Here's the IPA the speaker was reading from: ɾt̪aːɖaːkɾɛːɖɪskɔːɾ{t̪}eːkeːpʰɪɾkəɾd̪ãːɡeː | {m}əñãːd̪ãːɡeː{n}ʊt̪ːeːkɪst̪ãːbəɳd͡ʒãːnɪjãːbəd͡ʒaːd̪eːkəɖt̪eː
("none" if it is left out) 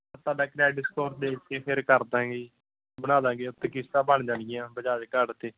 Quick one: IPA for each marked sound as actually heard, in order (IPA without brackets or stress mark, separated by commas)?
d̪, b, none